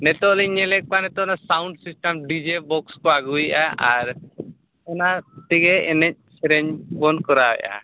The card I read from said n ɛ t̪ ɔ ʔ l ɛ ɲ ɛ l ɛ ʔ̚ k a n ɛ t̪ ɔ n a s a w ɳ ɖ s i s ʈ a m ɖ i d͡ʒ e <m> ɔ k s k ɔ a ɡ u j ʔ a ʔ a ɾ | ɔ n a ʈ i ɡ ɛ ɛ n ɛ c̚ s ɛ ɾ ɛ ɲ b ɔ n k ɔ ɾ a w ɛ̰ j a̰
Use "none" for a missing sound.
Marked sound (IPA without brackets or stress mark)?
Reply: b